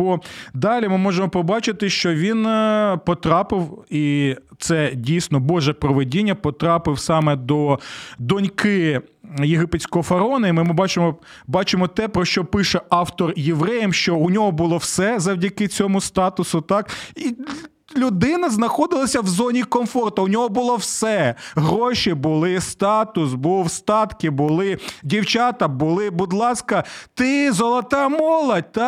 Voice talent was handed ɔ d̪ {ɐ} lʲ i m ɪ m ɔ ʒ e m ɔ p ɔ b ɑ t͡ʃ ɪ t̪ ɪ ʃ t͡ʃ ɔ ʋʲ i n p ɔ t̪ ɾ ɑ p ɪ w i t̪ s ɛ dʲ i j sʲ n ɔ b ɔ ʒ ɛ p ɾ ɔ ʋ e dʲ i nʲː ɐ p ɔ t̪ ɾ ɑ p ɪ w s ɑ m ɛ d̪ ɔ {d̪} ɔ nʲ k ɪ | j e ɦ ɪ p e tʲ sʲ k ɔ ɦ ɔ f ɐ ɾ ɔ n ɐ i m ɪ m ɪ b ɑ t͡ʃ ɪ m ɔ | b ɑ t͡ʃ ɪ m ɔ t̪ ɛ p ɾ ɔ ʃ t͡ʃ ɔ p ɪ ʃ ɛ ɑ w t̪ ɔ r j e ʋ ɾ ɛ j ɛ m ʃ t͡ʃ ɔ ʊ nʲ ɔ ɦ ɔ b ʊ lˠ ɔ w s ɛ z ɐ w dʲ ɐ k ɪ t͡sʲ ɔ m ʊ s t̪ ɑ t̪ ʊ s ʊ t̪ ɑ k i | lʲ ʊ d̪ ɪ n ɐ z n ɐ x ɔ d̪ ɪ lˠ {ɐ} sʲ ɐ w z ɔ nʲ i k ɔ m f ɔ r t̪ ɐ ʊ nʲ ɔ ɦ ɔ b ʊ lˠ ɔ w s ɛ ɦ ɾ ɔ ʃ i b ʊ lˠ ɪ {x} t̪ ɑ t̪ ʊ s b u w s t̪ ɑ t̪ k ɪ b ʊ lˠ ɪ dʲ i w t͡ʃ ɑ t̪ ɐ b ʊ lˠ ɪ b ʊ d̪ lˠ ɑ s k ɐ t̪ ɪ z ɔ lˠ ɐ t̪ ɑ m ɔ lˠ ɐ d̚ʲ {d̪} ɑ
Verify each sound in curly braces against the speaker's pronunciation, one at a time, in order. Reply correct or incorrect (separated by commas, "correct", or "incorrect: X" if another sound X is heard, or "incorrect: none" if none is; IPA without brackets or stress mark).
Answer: incorrect: ɑ, correct, correct, incorrect: s, incorrect: t̪